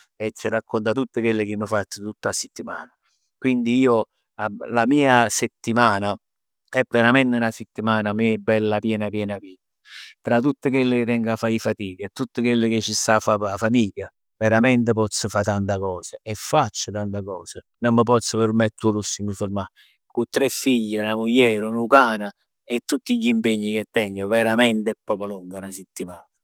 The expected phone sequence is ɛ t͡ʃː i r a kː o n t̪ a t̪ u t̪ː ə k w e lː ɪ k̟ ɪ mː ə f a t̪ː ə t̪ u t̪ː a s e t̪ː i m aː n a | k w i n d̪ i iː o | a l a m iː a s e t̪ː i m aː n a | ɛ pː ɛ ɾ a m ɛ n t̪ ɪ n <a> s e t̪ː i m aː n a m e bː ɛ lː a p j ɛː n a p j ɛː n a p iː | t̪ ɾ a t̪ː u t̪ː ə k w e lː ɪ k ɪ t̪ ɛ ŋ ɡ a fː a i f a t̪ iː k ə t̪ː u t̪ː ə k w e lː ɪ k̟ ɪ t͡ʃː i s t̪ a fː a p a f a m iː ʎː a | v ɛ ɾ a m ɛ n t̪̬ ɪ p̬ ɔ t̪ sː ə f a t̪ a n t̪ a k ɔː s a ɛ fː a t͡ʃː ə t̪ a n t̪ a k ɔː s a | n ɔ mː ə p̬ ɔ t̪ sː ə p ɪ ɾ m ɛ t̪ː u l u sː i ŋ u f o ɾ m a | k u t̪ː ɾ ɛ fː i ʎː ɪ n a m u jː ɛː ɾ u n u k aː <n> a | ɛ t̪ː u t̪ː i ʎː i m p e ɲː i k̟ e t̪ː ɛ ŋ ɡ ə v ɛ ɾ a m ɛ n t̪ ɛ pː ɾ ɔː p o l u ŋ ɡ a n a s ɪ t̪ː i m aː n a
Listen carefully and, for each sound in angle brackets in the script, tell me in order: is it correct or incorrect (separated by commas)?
correct, correct